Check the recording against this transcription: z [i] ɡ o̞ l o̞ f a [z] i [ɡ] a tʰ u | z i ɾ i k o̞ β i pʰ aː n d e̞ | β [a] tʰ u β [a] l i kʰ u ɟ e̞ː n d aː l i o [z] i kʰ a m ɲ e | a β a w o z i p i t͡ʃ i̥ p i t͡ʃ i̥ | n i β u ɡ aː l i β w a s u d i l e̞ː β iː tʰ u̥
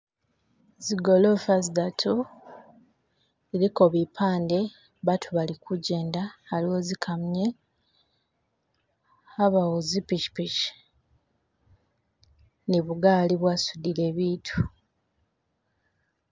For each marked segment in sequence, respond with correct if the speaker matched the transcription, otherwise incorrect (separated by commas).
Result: correct, correct, incorrect, correct, correct, correct